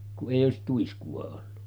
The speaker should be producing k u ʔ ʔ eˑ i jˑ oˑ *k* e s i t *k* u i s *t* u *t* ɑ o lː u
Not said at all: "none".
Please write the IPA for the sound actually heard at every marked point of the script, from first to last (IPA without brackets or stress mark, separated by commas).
none, t, k, none